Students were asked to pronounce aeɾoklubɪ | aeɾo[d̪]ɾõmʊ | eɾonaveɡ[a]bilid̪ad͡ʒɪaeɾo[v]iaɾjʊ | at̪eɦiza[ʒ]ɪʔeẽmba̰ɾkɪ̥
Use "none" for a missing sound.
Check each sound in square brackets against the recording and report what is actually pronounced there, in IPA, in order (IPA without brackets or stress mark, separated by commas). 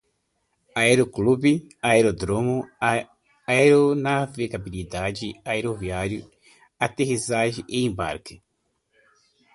d̪, a, v, ʒ